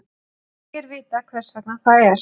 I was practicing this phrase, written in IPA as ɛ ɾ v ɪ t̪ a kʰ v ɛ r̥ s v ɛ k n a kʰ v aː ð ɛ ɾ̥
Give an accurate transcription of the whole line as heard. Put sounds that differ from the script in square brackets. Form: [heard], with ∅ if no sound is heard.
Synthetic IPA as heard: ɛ ɾ v [ɪː] t̪ a kʰ v ɛ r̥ s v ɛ k n a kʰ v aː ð ɛ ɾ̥